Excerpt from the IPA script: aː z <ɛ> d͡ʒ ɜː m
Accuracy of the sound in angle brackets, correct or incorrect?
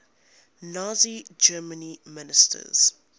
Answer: incorrect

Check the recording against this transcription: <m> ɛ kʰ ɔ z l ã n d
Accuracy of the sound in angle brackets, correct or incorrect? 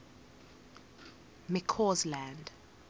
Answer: correct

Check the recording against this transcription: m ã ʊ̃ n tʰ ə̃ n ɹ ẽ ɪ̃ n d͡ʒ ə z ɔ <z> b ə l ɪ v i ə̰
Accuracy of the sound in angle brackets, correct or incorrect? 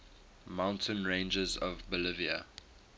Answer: incorrect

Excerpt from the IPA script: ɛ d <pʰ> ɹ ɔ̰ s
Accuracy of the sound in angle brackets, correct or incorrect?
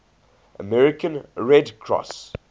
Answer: incorrect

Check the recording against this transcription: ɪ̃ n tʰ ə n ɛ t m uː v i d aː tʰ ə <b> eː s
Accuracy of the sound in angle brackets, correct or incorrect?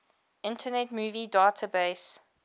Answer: correct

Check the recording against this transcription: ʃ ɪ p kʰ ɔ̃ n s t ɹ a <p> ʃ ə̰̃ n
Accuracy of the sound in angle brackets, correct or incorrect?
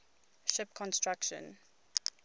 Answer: incorrect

